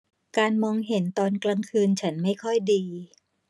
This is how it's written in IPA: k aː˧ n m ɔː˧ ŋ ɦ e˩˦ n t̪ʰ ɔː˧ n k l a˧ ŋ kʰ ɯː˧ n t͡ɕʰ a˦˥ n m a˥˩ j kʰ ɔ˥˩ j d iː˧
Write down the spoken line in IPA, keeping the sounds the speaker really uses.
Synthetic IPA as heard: k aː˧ n m ɔː˧ ŋ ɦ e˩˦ n t̪ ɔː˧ n k l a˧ ŋ kʰ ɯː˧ n t͡ɕʰ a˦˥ n m a˥˩ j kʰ ɔ˥˩ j d iː˧